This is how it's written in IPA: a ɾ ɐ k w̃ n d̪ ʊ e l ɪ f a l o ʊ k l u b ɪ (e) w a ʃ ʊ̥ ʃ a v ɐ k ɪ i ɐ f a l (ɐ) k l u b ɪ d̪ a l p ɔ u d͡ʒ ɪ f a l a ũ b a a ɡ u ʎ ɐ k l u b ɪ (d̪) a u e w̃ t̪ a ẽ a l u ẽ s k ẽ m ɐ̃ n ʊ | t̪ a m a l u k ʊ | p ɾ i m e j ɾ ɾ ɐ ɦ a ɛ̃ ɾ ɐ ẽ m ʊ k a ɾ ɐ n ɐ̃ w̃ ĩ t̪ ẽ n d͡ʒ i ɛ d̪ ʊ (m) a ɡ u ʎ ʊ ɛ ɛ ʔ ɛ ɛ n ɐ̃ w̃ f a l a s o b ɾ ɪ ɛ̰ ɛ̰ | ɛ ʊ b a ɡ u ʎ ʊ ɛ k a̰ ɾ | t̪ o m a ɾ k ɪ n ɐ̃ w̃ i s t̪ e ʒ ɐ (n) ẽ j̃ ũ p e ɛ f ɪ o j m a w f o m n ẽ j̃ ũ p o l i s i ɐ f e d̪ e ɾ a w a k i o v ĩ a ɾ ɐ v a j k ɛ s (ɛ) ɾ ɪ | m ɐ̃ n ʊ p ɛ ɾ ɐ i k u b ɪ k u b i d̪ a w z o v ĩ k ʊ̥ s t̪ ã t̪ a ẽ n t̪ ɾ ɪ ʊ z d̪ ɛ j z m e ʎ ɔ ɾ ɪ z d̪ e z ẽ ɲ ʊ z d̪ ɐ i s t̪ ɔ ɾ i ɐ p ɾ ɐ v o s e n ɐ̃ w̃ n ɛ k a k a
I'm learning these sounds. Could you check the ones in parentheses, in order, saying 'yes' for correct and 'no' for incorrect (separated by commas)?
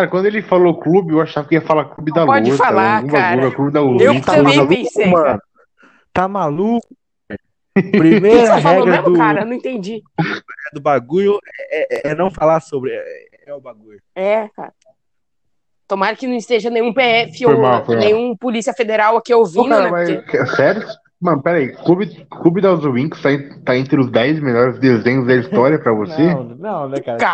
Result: yes, no, yes, no, yes, yes